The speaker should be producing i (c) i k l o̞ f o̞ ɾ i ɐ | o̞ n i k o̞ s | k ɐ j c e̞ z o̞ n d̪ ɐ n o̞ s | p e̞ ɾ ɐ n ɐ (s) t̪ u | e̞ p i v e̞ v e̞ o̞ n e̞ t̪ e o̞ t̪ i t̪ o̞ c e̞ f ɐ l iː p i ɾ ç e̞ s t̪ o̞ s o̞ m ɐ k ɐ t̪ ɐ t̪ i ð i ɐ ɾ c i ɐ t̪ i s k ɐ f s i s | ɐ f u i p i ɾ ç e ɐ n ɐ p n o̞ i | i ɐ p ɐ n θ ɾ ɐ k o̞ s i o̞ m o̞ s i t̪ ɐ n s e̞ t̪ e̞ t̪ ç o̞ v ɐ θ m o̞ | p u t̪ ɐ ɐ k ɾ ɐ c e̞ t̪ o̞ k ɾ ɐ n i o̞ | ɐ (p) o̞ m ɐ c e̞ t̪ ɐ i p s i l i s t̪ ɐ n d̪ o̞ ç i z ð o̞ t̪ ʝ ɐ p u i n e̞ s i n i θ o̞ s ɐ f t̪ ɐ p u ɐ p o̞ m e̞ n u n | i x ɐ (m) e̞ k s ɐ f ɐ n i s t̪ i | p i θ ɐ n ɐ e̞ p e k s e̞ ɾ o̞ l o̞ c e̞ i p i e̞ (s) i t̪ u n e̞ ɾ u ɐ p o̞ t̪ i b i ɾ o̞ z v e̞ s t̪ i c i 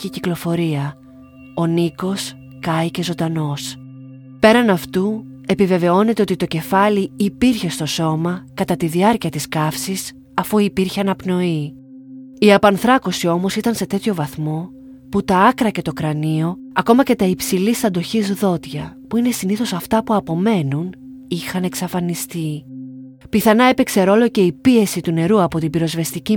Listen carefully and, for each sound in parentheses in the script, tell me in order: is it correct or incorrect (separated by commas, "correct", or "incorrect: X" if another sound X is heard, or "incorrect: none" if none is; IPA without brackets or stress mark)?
correct, incorrect: f, incorrect: k, incorrect: n, correct